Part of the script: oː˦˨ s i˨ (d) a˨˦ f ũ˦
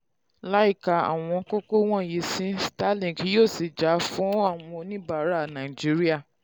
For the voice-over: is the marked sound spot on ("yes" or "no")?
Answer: no